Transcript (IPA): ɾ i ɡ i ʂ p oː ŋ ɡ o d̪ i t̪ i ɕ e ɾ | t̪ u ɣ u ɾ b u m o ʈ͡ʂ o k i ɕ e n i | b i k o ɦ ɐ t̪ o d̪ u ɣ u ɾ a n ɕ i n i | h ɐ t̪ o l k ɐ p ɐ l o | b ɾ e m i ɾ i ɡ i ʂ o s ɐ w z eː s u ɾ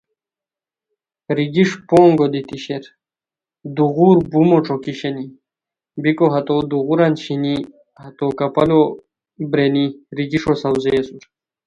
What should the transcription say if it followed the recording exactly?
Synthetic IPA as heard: ɾ i ɡ i ʂ p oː ŋ ɡ o d̪ i t̪ i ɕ e ɾ | d̪ u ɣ u ɾ b u m o ʈ͡ʂ o k i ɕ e n i | b i k o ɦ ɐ t̪ o d̪ u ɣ u ɾ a n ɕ i n i | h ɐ t̪ o k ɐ p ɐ l o | b ɾ e n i ɾ i ɡ i ʂ o s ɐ w z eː s u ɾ